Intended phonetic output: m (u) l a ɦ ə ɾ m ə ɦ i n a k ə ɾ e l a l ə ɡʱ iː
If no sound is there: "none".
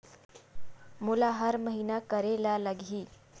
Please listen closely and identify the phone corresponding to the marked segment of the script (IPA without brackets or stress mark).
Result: u